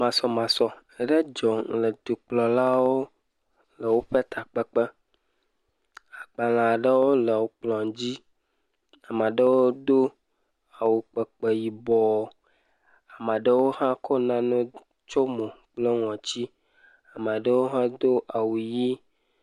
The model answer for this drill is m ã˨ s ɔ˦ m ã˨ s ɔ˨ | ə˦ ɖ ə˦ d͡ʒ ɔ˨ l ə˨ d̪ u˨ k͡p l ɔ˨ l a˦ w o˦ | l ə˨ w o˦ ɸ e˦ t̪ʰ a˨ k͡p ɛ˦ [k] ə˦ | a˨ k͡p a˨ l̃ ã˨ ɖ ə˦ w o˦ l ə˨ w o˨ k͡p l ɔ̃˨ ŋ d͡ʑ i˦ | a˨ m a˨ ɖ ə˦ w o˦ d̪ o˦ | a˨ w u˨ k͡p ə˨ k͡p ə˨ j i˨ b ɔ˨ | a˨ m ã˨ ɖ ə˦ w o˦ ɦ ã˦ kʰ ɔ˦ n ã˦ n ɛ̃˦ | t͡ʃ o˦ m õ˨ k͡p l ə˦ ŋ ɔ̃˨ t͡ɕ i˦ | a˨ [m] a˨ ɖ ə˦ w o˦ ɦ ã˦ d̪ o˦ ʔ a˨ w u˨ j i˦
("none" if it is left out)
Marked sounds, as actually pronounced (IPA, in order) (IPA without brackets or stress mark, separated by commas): k͡p, m